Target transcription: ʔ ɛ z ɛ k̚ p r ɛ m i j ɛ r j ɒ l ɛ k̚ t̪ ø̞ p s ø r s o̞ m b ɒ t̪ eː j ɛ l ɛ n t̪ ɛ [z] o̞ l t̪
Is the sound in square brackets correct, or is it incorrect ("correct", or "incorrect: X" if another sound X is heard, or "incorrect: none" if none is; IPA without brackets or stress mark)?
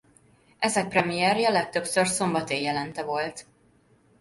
incorrect: v